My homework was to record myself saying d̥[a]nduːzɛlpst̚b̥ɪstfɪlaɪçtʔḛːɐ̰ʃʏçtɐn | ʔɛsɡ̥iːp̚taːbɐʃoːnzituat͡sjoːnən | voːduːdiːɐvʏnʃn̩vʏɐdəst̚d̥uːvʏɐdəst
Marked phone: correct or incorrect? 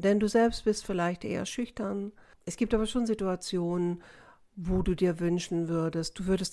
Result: incorrect